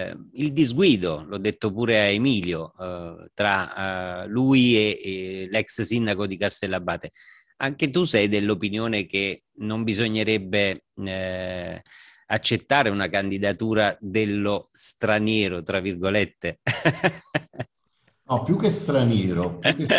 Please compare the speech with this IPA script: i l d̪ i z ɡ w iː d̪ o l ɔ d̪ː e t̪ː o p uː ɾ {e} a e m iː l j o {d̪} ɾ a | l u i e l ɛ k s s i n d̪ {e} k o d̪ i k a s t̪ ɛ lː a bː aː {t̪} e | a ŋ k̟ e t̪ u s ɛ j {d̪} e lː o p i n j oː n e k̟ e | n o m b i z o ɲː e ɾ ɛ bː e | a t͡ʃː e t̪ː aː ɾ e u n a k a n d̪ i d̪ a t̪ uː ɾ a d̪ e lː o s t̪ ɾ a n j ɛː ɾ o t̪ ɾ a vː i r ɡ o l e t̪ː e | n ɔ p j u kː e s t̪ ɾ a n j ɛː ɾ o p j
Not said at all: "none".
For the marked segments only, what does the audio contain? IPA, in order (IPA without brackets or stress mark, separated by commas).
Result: e, t̪, a, t̪, d̪